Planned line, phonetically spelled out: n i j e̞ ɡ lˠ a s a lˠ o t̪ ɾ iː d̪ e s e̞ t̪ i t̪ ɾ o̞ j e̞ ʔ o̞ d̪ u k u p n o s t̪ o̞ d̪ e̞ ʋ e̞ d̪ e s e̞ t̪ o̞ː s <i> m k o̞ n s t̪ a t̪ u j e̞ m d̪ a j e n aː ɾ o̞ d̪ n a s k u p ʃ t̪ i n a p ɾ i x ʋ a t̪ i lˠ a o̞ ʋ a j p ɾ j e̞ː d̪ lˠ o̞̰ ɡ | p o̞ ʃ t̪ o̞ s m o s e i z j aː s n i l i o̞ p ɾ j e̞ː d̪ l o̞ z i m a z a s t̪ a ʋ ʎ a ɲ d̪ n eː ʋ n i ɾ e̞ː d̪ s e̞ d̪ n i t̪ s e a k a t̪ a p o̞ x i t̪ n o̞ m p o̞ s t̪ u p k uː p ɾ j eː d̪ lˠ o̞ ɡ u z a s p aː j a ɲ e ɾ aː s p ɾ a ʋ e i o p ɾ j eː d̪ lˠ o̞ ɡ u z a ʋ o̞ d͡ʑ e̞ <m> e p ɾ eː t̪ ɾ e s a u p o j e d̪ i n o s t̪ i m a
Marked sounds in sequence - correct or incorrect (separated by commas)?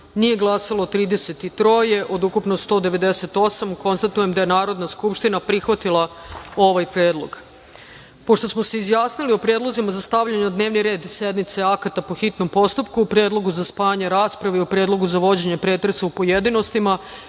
incorrect, incorrect